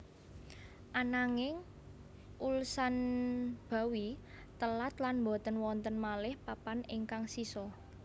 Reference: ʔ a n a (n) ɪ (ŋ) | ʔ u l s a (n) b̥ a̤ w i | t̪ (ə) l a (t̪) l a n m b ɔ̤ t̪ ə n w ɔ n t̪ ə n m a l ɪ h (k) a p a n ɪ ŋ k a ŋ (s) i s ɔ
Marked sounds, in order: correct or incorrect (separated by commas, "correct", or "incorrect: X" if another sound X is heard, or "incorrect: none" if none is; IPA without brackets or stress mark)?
incorrect: ŋ, correct, correct, correct, correct, incorrect: p, correct